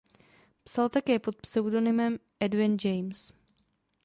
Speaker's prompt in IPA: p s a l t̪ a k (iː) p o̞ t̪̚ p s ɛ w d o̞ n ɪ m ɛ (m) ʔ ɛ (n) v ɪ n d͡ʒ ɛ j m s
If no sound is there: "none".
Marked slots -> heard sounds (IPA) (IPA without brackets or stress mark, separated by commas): ɛː, m, d